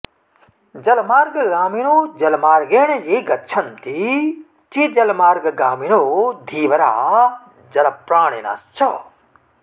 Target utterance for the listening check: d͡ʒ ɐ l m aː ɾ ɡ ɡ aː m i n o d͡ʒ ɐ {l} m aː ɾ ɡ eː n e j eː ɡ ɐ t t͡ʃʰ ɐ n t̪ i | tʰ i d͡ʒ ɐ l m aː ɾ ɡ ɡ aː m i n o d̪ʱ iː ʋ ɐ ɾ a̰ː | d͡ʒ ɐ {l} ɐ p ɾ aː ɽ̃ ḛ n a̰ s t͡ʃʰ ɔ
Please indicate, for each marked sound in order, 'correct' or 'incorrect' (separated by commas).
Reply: correct, correct